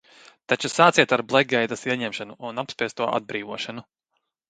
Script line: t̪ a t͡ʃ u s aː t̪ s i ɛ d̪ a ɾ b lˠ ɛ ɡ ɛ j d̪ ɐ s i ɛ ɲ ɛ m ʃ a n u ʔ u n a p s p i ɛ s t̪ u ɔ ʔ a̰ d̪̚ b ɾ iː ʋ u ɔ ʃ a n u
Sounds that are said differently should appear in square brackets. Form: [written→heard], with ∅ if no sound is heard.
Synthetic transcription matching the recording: t̪ a t͡ʃ u s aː t̪ s i ɛ [d̪→t̪] a ɾ b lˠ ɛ ɡ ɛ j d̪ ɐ s i ɛ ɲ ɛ m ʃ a n u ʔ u n a p s p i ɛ s t̪ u ɔ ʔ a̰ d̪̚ b ɾ iː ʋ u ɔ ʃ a n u